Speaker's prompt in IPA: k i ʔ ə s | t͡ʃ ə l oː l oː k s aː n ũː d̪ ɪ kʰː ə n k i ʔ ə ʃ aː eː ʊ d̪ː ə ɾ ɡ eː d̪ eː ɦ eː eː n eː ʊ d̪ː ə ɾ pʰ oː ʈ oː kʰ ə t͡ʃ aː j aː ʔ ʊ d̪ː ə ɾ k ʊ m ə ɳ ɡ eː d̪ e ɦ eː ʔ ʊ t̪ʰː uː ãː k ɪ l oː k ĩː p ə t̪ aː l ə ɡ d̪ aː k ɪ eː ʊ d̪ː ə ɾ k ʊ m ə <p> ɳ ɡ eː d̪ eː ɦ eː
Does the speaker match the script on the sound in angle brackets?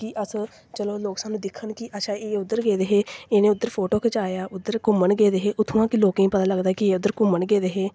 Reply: no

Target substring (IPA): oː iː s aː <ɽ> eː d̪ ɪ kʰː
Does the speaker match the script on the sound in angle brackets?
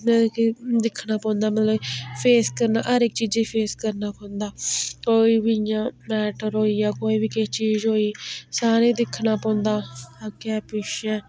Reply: no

